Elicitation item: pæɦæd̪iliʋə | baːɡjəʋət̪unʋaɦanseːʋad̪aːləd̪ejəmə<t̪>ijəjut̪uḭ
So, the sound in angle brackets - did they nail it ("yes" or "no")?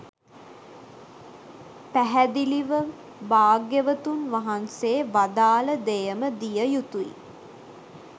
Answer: no